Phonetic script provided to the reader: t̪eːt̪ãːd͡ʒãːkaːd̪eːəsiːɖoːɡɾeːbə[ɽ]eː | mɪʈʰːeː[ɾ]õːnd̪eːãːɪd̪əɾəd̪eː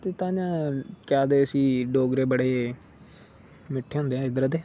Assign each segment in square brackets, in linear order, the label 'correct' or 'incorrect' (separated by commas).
correct, incorrect